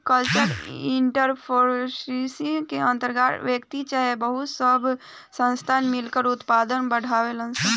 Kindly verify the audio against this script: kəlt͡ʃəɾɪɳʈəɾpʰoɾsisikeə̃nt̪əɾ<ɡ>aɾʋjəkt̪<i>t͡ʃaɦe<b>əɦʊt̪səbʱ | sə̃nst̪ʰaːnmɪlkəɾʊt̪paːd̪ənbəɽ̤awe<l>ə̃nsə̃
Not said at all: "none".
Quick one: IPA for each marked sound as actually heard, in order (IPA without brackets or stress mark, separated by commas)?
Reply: ɡ, i, b, l